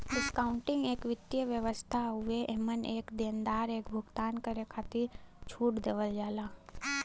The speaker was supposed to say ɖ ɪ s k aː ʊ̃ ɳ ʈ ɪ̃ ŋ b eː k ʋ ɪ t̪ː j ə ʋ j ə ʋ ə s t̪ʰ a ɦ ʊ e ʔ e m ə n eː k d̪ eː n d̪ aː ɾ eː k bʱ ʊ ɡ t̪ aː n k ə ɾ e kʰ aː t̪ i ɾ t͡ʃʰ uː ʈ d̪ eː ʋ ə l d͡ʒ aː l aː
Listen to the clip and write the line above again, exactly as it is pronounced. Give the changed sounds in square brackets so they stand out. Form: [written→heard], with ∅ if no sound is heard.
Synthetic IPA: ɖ ɪ s k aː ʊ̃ ɳ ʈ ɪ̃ ŋ [b→ɡ] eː k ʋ ɪ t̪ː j ə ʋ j ə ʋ ə s t̪ʰ a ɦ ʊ e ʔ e m ə n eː k d̪ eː n d̪ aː ɾ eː k bʱ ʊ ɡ t̪ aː n k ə ɾ e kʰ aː t̪ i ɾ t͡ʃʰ uː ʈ d̪ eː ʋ ə l d͡ʒ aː l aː